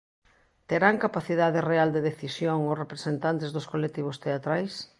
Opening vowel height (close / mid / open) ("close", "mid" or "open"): mid